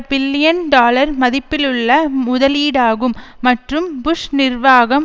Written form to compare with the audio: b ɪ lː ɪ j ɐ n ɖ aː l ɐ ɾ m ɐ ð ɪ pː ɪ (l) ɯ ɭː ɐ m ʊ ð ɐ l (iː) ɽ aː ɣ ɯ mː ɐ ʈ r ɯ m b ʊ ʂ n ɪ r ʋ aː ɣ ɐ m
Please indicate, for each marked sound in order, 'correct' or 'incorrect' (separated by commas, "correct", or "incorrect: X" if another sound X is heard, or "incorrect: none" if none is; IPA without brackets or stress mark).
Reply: correct, correct